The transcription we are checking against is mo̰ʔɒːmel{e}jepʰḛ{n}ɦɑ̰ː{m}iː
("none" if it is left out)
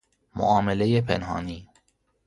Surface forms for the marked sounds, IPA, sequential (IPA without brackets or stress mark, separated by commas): e, n, n